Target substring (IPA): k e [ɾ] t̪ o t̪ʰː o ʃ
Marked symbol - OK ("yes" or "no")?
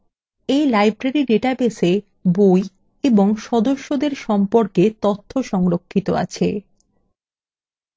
no